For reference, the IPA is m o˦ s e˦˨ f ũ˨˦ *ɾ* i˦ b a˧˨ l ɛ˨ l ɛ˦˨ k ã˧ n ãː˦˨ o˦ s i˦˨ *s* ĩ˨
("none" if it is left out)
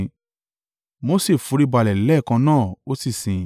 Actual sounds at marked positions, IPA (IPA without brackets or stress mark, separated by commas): ɾ, s